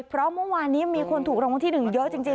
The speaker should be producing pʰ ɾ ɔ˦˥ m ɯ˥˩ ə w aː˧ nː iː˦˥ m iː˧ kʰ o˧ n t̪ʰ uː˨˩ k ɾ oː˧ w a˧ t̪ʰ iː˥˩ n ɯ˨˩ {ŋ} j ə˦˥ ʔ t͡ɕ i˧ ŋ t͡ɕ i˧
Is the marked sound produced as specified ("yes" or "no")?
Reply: yes